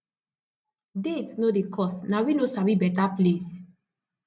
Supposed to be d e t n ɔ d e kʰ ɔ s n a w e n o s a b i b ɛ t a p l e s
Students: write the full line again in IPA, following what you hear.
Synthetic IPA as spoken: d e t n o d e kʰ ɔ s n a w i n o s a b i b ɛ t a p l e s